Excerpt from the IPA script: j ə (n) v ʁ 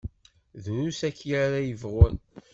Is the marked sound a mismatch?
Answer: yes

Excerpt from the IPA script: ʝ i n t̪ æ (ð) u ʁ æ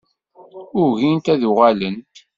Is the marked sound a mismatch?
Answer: no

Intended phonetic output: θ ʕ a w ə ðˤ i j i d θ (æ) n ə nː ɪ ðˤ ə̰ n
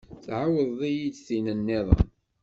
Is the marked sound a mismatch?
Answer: yes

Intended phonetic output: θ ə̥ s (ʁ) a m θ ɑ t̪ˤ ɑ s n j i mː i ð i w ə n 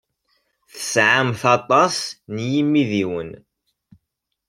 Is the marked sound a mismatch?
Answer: yes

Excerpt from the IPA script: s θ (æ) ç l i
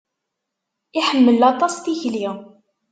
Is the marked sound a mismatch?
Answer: yes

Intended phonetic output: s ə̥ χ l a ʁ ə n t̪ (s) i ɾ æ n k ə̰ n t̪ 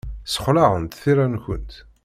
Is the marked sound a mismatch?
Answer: yes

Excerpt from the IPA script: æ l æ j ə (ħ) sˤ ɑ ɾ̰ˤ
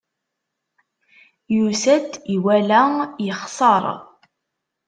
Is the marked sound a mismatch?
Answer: yes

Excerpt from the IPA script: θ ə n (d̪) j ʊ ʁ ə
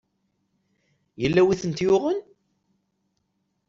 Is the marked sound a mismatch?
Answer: yes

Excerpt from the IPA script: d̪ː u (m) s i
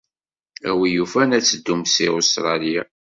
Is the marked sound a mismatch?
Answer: no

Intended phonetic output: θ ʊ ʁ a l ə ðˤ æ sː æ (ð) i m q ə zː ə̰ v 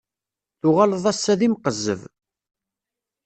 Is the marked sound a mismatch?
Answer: no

